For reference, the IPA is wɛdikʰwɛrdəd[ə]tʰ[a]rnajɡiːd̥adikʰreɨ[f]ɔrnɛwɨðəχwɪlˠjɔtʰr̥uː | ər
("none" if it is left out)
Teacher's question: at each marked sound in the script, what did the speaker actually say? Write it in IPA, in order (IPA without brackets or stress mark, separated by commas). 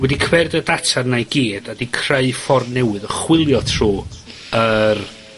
a, a, f